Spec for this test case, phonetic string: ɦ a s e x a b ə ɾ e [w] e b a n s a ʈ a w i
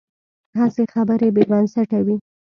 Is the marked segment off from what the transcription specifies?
yes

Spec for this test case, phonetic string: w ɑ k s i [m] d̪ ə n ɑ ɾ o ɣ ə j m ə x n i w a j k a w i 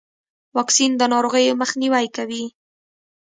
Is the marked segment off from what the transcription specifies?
yes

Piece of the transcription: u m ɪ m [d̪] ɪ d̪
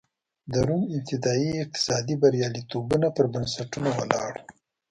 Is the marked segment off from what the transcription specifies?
yes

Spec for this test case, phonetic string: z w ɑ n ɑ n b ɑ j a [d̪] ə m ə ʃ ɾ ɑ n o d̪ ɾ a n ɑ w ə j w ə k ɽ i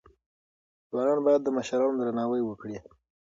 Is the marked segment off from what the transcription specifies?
yes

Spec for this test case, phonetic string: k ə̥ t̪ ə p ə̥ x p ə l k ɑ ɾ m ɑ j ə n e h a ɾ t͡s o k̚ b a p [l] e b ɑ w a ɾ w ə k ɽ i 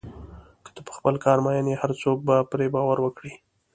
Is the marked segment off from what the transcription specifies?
yes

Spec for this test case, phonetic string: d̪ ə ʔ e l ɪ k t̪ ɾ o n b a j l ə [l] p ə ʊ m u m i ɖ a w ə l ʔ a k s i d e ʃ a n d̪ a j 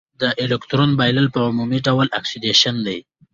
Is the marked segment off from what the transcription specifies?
no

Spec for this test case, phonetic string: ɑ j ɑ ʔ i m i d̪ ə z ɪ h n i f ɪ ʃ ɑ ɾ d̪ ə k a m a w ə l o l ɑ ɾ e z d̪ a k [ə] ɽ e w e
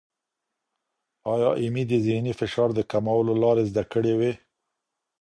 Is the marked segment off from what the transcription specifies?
no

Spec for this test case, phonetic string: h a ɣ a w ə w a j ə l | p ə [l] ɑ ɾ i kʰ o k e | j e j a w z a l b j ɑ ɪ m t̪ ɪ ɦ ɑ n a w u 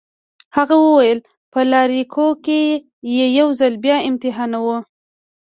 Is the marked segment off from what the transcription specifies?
no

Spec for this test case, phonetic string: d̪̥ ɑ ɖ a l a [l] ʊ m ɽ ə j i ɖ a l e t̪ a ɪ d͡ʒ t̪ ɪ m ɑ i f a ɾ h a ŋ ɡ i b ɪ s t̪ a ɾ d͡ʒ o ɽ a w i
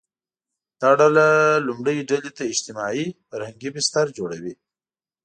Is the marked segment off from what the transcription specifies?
no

